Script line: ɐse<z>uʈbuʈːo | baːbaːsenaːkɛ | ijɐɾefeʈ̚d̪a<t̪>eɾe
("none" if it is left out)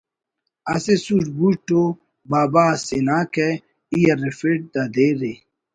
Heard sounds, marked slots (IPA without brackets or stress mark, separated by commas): s, d̪